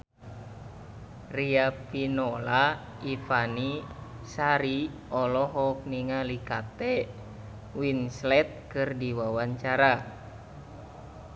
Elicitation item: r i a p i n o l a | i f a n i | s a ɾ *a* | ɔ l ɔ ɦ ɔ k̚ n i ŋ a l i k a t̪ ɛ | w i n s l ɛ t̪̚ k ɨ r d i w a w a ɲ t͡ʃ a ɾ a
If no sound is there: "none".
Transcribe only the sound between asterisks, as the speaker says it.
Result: i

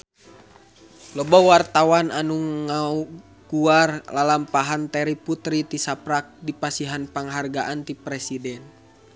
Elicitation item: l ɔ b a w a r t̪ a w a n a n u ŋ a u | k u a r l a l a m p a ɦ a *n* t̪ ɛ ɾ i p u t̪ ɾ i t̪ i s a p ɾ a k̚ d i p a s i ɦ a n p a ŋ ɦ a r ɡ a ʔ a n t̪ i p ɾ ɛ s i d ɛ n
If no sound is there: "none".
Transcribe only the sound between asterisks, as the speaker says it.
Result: n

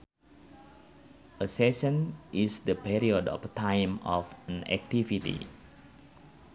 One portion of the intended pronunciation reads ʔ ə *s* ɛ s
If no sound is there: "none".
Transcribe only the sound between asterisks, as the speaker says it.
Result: s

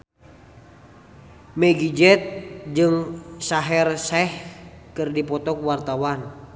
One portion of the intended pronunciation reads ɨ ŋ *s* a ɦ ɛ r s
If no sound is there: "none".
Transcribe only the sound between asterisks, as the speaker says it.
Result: s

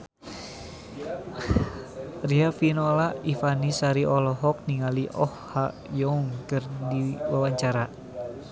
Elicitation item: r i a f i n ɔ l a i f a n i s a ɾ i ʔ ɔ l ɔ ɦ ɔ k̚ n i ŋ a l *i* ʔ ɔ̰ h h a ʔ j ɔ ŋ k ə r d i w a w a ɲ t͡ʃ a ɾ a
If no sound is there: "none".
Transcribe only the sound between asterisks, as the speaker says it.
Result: i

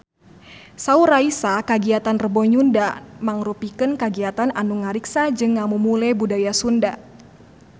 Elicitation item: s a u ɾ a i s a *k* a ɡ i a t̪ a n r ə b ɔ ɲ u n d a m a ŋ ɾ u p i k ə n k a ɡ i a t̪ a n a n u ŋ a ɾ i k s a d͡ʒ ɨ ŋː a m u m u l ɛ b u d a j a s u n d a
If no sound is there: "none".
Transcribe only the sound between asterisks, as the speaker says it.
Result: k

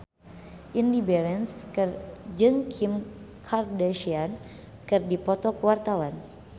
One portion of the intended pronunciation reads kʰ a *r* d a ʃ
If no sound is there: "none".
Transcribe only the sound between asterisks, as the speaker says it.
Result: r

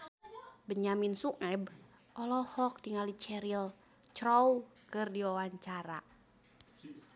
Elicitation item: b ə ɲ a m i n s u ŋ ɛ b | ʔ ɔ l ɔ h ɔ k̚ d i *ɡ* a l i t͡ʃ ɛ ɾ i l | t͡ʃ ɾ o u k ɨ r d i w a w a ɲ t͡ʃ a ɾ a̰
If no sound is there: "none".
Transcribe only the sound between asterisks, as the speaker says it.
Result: ŋ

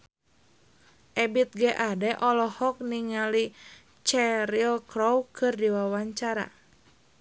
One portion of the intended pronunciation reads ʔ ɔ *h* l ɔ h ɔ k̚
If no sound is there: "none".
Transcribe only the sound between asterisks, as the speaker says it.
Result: none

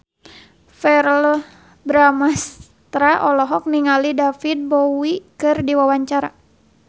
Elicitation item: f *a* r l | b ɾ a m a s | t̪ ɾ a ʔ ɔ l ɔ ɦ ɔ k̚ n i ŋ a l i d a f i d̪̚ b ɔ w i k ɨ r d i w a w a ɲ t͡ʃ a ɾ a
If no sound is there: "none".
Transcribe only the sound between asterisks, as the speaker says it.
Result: ɛ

